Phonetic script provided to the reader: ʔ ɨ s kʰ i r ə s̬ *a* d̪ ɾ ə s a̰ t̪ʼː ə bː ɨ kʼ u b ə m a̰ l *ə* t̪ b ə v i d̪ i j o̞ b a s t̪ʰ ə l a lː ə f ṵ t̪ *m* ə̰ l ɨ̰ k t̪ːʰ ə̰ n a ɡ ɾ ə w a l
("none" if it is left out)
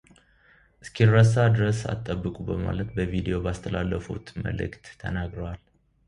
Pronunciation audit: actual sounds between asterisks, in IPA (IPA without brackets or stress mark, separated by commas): a, ə, m